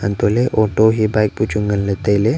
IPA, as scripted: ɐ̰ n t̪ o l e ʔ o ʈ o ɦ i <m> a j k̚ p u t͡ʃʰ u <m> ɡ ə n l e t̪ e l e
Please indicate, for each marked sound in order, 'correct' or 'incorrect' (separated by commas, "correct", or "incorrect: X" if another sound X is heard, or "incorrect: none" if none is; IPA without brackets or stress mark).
incorrect: b, incorrect: ŋ